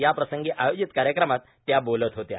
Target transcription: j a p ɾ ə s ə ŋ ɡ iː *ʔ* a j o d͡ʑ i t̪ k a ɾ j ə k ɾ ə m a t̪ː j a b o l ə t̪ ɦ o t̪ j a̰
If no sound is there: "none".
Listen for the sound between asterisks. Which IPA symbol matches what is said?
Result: ʔ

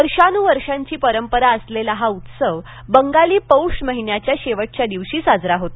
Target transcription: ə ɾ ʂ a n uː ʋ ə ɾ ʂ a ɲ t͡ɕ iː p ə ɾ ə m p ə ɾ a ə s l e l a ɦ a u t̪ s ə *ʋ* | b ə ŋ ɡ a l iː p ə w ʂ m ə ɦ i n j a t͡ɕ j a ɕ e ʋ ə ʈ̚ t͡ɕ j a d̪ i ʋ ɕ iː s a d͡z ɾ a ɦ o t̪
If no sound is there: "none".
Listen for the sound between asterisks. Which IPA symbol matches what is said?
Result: ʋ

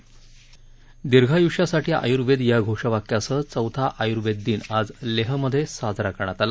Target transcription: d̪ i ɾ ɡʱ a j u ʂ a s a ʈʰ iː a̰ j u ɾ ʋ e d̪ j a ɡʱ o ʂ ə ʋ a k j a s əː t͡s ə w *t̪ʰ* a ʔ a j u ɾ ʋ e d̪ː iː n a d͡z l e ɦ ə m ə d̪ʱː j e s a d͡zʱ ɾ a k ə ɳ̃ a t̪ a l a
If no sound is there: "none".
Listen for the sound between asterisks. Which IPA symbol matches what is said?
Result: t̪ʰ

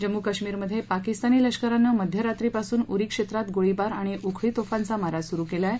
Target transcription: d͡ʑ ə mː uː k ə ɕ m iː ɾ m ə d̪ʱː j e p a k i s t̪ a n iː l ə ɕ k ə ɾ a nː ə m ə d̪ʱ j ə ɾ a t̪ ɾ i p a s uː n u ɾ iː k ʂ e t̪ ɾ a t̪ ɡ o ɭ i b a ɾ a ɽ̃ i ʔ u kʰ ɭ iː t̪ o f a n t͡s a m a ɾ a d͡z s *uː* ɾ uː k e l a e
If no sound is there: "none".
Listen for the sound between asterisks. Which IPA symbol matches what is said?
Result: u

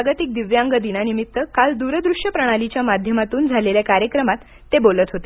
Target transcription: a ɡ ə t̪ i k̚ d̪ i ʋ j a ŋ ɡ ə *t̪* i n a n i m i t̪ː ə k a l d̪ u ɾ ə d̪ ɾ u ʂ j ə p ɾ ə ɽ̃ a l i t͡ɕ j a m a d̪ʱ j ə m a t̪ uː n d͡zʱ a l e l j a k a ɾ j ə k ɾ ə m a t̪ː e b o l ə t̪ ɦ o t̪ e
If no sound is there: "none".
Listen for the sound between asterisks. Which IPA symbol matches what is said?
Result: d̪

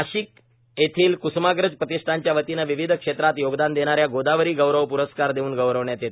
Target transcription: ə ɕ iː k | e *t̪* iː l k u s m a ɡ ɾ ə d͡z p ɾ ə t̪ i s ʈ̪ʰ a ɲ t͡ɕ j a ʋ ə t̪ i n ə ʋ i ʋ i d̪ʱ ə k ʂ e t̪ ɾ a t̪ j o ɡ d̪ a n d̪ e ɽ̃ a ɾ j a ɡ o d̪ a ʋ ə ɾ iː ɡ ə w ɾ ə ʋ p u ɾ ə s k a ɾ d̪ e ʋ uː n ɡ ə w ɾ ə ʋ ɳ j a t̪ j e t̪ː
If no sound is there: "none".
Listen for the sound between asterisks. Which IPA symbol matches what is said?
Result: t̪ʰ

